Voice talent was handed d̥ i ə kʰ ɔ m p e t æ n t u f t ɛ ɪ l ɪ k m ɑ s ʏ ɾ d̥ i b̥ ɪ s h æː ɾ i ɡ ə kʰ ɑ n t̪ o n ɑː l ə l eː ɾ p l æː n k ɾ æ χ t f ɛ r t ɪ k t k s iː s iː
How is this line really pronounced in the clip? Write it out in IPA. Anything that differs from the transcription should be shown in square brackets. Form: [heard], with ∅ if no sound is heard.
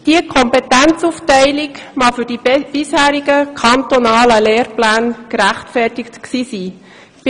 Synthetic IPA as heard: d̥ i ə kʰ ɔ m p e t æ n [t͡s] u f t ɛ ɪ l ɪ k m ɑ [f] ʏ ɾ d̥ i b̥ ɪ s h æː ɾ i ɡ ə kʰ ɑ n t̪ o n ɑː l ə l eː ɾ p l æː n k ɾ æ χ t f ɛ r t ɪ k t k s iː s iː

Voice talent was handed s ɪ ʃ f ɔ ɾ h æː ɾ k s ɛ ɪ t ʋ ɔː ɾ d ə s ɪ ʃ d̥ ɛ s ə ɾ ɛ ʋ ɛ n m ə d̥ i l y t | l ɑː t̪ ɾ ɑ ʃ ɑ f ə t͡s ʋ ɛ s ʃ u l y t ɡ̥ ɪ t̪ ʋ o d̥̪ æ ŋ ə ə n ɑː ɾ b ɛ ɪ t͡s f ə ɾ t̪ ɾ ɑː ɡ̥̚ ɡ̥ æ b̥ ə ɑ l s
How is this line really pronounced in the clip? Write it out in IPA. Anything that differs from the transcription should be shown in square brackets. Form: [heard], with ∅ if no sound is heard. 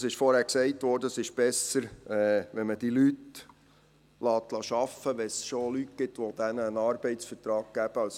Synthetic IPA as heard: s ɪ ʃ f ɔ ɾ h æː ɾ k s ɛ ɪ t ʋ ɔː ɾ d ə s ɪ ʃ [b̥] ɛ s ə ɾ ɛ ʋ ɛ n m ə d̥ i l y t | l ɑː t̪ [l] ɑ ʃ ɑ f ə [∅] ʋ ɛ s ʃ [o] l y t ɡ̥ ɪ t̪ ʋ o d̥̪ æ [n] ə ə n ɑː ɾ b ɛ ɪ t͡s f ə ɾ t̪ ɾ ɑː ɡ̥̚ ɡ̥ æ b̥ ə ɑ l s

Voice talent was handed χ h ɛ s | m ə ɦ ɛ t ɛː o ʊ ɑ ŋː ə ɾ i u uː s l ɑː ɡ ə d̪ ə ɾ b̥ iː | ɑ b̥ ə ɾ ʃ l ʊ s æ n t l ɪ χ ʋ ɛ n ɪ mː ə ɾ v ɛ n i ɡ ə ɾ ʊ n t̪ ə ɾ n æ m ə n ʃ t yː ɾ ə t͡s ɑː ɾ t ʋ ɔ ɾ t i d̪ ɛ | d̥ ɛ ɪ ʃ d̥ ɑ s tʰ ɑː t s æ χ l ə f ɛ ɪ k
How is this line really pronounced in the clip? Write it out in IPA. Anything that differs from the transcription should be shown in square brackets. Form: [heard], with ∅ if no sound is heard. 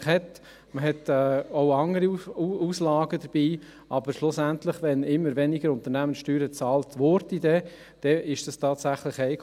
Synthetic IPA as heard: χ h ɛ [t] | m ə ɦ ɛ t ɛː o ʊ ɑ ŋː ə ɾ i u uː s l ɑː ɡ ə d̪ ə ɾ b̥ iː | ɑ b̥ ə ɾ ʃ l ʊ s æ n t l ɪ χ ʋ ɛ n ɪ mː ə ɾ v ɛ n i ɡ ə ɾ ʊ n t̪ ə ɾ n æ m ə n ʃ t yː ɾ ə t͡s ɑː [l] t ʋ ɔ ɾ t i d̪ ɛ | d̥ ɛ ɪ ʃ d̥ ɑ s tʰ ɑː t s æ χ l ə [χ] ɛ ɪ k

